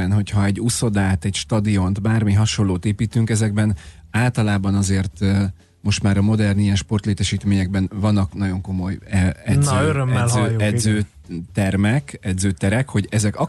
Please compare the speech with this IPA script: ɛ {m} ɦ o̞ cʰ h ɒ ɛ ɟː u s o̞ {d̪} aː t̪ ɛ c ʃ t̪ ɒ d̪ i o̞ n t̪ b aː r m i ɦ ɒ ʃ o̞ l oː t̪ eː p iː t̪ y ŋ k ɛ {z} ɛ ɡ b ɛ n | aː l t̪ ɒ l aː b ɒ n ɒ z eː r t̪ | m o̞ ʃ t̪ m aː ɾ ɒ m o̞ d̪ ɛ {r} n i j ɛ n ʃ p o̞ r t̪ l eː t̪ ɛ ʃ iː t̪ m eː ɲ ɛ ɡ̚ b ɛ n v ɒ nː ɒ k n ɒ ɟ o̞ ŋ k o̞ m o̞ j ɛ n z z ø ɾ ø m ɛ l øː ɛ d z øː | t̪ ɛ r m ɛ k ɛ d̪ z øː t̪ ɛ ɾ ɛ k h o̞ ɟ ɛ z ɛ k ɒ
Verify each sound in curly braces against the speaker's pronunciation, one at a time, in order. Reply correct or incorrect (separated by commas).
incorrect, correct, correct, correct